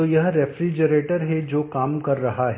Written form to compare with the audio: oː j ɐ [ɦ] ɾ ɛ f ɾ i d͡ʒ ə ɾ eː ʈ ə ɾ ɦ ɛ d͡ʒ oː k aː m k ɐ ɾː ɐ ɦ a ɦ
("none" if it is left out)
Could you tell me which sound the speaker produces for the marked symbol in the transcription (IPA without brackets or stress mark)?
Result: ɦ